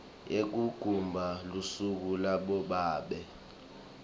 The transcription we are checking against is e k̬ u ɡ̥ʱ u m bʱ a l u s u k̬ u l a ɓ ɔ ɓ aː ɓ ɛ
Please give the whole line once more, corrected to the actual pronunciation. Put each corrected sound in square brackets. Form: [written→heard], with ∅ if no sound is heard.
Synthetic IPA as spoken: e k̬ u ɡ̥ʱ u m bʱ a l u s u k̬ u l a ɓ ɔ ɓ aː ɓ ɛ